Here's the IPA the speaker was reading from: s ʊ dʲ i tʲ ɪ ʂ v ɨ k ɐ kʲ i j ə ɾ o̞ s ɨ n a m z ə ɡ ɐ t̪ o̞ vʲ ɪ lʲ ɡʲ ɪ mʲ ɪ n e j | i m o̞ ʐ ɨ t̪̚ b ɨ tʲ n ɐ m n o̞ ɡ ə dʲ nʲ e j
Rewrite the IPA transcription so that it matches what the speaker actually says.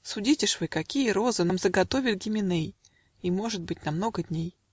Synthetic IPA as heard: s ʊ dʲ i tʲ ɪ ʂ v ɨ k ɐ kʲ i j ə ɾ o̞ z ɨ n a m z ə ɡ ɐ t̪ o̞ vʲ ɪ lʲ ɡʲ ɪ mʲ ɪ n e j | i m o̞ ʐ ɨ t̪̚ b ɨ tʲ n ɐ m n o̞ ɡ ə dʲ nʲ e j